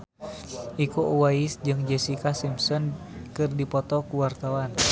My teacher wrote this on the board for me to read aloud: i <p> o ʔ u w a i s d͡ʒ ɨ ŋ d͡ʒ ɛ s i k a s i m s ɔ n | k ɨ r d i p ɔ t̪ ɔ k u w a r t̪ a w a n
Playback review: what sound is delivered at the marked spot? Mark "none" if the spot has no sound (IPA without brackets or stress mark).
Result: k